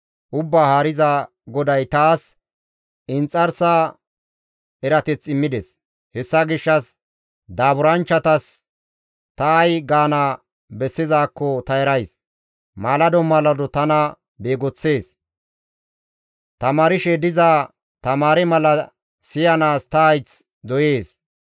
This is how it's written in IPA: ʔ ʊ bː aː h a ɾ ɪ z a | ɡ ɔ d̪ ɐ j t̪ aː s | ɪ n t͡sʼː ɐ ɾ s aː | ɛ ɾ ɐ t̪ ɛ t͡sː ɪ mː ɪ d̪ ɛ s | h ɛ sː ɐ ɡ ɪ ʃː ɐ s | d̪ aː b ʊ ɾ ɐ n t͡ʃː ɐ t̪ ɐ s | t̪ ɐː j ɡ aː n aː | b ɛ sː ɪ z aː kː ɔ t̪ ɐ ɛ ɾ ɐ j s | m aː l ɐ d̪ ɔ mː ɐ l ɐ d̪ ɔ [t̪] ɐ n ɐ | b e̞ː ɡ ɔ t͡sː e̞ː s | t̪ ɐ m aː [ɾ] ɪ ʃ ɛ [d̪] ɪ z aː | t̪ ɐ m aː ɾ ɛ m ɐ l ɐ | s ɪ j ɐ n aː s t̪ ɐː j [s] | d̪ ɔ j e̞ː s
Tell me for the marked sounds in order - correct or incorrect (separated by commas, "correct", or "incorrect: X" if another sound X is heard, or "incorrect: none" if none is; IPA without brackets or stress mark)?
correct, correct, correct, incorrect: t͡s